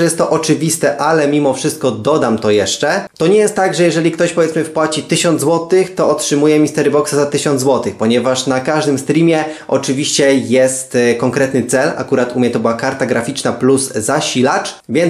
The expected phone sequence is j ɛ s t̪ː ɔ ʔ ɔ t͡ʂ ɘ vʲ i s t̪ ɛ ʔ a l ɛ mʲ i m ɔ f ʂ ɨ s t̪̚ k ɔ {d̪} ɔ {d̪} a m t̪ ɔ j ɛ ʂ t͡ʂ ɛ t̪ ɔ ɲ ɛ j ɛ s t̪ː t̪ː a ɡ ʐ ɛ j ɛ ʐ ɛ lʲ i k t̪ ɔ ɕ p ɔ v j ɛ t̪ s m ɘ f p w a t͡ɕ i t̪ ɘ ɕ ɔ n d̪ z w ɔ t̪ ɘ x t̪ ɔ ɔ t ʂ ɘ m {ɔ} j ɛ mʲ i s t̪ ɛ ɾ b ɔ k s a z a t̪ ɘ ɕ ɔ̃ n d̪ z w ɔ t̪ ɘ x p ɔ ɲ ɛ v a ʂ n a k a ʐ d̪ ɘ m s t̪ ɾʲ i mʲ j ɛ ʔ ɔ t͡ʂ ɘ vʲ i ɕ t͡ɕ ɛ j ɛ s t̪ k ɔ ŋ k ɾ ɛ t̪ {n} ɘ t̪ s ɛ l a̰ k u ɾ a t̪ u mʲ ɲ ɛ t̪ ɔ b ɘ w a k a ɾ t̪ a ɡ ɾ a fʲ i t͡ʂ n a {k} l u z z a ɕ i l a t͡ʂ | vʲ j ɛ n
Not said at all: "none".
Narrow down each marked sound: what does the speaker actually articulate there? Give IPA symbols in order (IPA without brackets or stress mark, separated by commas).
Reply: d̪, d̪, u, n, p